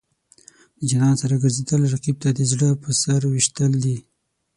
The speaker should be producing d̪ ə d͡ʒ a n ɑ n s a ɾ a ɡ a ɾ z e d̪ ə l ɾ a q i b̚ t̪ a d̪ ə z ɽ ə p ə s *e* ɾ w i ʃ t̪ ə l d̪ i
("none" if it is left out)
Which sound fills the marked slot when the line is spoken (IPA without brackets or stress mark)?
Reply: a